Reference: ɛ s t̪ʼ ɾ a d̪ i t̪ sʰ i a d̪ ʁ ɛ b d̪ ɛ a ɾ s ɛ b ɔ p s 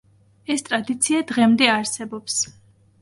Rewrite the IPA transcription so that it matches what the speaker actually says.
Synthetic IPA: ɛ s t̪ʼ ɾ a d̪ i t̪ sʰ i a d̪ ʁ ɛ m d̪ ɛ a ɾ s ɛ b ɔ p s